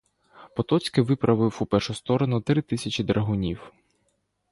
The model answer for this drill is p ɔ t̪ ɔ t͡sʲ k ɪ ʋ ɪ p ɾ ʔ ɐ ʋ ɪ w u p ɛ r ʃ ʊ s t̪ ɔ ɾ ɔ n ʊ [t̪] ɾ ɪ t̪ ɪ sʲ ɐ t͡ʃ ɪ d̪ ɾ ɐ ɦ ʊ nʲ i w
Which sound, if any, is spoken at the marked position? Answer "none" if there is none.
t̪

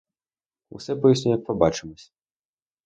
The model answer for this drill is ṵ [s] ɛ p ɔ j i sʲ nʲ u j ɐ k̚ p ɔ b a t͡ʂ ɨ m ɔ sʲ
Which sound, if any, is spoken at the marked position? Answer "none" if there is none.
s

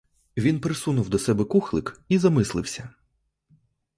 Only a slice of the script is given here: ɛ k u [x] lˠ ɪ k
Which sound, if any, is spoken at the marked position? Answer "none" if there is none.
x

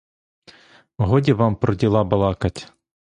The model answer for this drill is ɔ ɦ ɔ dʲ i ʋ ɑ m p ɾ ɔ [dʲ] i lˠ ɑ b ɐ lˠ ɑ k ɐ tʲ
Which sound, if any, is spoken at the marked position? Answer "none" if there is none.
dʲ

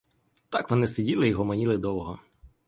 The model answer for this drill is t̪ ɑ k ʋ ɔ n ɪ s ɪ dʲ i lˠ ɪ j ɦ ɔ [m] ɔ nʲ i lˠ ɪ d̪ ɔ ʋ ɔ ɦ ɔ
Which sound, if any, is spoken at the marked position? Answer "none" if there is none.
m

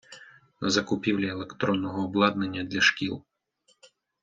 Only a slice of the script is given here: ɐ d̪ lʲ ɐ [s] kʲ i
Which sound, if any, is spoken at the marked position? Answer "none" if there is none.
ʃ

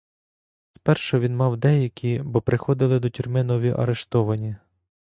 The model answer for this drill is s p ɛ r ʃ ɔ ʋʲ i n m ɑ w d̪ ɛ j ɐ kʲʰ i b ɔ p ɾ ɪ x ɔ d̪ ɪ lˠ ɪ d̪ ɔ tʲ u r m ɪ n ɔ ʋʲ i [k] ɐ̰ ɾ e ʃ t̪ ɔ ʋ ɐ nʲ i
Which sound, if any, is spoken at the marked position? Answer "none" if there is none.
ʔ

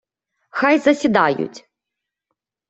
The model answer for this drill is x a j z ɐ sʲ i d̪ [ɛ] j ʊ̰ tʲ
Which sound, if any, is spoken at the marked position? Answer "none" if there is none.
a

